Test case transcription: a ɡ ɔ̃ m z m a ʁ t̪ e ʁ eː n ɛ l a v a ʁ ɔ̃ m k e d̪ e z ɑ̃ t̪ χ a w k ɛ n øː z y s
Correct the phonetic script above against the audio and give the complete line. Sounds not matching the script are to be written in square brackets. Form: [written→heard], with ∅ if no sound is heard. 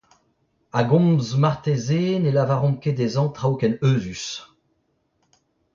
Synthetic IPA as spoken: a ɡ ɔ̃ m z m a ʁ t̪ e [ʁ→z] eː n [ɛ→e] l a v a ʁ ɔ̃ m k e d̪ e z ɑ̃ t̪ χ a w k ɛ n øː z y s